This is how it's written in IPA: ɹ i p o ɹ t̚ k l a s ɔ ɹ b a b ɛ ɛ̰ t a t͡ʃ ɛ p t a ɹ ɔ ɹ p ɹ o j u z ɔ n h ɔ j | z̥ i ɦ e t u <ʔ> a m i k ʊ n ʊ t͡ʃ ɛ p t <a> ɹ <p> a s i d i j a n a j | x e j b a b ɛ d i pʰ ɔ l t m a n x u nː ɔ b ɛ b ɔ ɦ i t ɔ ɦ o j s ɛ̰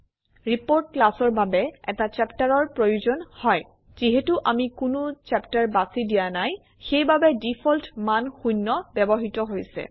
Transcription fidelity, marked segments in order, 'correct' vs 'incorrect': correct, correct, incorrect

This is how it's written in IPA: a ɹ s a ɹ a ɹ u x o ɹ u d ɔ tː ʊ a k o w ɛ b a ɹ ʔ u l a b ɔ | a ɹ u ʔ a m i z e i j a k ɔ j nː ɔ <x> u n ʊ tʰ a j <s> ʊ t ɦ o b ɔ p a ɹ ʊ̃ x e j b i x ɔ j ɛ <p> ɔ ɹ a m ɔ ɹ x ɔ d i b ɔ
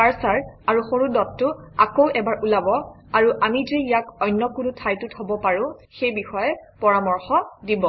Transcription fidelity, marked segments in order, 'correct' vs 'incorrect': incorrect, incorrect, correct

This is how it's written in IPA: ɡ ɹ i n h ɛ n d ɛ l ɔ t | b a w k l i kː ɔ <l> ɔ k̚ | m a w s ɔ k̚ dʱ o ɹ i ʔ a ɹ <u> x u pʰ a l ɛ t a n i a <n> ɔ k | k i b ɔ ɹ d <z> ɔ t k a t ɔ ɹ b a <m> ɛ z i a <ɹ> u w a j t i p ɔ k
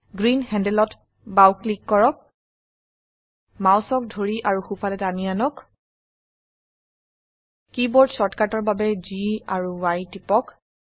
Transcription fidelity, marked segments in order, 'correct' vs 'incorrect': incorrect, correct, correct, incorrect, incorrect, correct

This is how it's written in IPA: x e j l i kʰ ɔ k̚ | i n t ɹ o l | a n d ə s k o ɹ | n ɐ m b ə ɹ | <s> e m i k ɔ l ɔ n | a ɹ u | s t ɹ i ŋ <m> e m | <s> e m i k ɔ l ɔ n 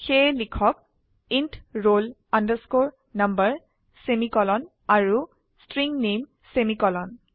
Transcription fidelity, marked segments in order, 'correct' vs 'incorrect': correct, incorrect, correct

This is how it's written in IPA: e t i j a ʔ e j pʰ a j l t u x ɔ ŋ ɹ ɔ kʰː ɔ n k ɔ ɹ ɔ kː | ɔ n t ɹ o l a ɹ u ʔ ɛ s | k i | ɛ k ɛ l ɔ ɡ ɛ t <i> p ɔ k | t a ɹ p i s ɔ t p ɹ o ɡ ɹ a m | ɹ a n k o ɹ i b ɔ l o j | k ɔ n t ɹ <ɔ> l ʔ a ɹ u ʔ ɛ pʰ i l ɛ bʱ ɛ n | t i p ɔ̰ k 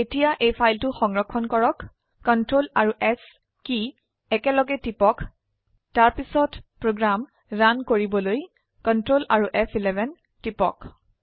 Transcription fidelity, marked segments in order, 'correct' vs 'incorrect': correct, incorrect

